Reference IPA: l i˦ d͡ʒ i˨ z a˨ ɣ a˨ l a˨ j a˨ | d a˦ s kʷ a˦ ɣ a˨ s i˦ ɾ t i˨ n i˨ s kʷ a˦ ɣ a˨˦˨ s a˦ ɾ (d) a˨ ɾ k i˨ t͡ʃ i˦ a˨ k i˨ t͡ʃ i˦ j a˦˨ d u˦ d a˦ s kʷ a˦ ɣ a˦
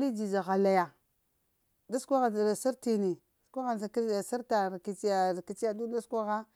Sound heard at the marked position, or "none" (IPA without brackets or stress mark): t